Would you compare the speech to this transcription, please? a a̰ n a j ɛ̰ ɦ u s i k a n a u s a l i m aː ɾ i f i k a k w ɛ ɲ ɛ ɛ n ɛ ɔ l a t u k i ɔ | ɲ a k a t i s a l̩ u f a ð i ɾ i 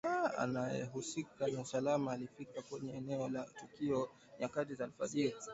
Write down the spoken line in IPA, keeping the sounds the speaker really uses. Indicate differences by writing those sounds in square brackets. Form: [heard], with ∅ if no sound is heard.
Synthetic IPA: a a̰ n a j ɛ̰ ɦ u s i k a n a u s a l [a] m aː [l] i f i k a k w ɛ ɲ ɛ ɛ n ɛ ɔ l a t u k i ɔ | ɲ a k a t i [z] a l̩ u f a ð i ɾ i